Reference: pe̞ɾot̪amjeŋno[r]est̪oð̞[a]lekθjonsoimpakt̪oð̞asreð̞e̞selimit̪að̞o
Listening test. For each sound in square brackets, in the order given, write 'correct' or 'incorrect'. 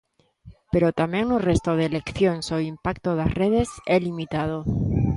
correct, incorrect

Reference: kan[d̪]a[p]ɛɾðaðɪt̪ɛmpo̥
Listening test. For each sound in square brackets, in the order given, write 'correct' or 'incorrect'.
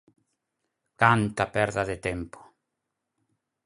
incorrect, correct

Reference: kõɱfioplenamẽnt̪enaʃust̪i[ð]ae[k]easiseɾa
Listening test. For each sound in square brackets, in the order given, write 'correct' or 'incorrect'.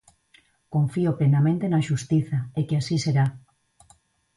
incorrect, correct

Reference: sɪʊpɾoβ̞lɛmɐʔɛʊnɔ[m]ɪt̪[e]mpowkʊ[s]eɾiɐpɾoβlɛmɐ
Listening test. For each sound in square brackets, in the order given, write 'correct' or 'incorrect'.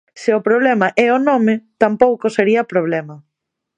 correct, incorrect, correct

